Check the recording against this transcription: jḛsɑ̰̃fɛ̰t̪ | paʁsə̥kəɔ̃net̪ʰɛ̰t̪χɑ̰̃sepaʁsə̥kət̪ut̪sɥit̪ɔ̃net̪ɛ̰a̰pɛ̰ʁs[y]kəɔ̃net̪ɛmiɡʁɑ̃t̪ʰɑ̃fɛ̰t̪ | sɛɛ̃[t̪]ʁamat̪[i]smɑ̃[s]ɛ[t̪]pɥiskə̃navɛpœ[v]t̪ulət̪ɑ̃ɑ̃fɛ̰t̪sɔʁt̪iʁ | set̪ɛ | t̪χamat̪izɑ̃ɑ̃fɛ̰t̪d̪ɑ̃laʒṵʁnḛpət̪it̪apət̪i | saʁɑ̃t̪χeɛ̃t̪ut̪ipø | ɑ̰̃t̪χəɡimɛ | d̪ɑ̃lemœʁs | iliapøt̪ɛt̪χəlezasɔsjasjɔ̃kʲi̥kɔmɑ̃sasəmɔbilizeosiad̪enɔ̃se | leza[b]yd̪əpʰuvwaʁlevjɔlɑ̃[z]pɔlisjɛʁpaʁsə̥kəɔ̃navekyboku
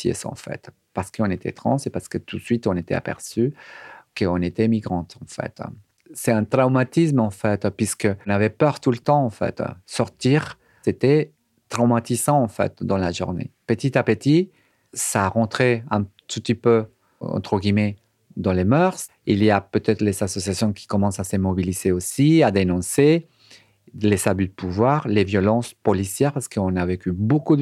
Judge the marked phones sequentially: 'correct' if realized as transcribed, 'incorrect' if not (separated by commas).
correct, correct, correct, incorrect, correct, incorrect, correct, incorrect